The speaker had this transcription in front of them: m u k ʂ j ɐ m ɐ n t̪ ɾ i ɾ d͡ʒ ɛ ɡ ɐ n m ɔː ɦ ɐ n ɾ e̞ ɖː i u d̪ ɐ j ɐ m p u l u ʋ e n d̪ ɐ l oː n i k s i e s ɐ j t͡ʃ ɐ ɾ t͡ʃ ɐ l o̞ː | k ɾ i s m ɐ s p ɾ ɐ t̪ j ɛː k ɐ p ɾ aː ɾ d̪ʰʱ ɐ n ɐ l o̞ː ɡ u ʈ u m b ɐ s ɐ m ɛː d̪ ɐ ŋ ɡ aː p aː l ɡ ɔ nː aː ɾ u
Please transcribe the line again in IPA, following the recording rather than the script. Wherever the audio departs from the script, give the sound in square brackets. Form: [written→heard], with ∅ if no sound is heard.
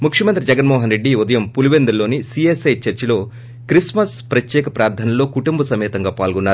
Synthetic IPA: m u k ʂ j ɐ m ɐ n t̪ ɾ i [ɾ→∅] d͡ʒ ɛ ɡ ɐ n m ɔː ɦ ɐ n ɾ e̞ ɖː i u d̪ ɐ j ɐ m p u l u ʋ e n d̪ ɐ l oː n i [k→∅] s i e s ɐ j t͡ʃ ɐ ɾ t͡ʃ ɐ l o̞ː | k ɾ i s m ɐ s p ɾ ɐ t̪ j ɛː k ɐ p ɾ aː ɾ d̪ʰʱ ɐ n ɐ l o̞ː [ɡ→k] u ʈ u m b ɐ s ɐ m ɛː [d̪→t̪] ɐ ŋ ɡ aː p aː l ɡ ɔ nː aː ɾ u

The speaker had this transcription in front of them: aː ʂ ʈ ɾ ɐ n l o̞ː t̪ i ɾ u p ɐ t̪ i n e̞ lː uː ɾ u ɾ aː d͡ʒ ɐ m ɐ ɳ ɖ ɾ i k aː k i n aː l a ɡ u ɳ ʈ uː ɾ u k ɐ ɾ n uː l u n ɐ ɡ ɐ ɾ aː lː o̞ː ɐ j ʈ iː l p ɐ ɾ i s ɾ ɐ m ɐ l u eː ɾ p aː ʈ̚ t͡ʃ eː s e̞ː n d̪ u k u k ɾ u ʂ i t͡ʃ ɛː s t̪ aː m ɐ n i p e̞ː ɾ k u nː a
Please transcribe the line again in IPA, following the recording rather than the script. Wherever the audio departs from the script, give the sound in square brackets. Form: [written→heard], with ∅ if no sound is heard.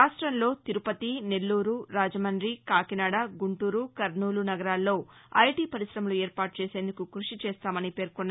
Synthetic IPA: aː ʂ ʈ ɾ ɐ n l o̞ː t̪ i ɾ u p ɐ t̪ i n e̞ lː uː ɾ u ɾ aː d͡ʒ ɐ m ɐ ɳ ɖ ɾ i k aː k i n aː [l→ɽ] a ɡ u ɳ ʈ uː ɾ u k ɐ ɾ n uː l u n ɐ ɡ ɐ ɾ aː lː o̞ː ɐ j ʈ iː [l→∅] p ɐ ɾ i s ɾ ɐ m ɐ l u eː ɾ p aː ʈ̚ t͡ʃ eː s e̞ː n d̪ u k u k ɾ u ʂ i t͡ʃ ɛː s t̪ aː m ɐ n i p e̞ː ɾ k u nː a

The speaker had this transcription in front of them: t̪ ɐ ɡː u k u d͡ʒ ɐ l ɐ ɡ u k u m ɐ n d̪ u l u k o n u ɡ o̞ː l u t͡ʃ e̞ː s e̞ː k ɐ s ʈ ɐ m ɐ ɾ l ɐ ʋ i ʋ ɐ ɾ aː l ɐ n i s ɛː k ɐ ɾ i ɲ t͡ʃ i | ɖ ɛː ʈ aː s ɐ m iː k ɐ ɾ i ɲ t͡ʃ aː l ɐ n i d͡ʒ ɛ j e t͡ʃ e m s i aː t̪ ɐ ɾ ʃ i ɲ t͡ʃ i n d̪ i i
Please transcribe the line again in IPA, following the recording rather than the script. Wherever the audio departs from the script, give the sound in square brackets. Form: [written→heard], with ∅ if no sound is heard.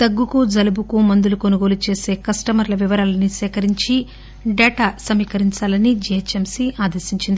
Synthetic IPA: t̪ ɐ ɡː u k u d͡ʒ ɐ l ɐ [ɡ→b] u k u m ɐ n d̪ u l u k o n u ɡ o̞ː l u t͡ʃ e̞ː s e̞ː k ɐ s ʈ ɐ m ɐ ɾ l ɐ ʋ i ʋ ɐ ɾ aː l ɐ n i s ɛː k ɐ ɾ i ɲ t͡ʃ i | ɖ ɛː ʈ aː s ɐ m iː k ɐ ɾ i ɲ t͡ʃ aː l ɐ n i d͡ʒ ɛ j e t͡ʃ e m s i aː [t̪→d̪] ɐ ɾ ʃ i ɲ t͡ʃ i n d̪ i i

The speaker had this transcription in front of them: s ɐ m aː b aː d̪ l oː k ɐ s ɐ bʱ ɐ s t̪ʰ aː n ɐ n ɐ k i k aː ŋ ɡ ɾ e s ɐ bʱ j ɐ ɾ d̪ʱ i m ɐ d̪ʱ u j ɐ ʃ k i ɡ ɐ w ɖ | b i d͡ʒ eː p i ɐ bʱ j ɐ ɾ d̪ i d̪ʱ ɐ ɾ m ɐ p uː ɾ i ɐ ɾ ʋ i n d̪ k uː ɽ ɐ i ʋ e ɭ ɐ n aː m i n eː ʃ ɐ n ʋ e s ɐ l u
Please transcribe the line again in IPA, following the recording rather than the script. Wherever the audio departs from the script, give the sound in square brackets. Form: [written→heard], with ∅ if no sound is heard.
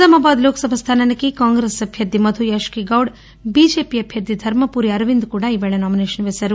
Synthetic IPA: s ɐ m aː b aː d̪ l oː k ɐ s ɐ bʱ ɐ s t̪ʰ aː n ɐ n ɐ k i k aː ŋ ɡ ɾ e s ɐ bʱ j ɐ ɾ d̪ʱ i m ɐ d̪ʱ u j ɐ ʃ k i ɡ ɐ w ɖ | b i d͡ʒ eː p i ɐ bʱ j ɐ ɾ d̪ i d̪ʱ ɐ ɾ m ɐ p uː ɾ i ɐ ɾ ʋ i n d̪ k uː ɽ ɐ i ʋ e ɭ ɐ n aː m i n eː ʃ ɐ n ʋ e s ɐ [l→ɾ] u

